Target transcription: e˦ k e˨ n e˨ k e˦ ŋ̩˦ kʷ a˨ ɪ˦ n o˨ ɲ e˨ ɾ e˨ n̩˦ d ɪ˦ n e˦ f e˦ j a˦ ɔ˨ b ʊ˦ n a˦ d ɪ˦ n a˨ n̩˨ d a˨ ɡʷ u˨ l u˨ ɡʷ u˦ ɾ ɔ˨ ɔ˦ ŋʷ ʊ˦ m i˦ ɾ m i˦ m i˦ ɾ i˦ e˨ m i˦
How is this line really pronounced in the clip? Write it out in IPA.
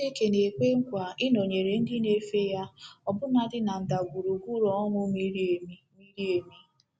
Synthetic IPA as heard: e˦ k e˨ n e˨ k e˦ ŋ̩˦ kʷ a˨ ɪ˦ n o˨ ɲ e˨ ɾ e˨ n̩˦ d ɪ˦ n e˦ f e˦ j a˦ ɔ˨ b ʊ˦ n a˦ d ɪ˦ n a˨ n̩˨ d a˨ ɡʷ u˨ ɾ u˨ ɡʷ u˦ ɾ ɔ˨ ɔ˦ ŋʷ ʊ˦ m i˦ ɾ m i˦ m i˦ ɾ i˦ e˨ m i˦